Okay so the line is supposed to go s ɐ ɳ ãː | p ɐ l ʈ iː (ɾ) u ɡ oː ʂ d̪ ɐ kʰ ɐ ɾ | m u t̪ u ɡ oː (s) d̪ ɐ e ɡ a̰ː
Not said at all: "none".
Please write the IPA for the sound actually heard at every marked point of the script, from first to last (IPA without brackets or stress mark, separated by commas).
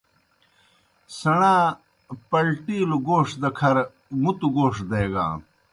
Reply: l, ʂ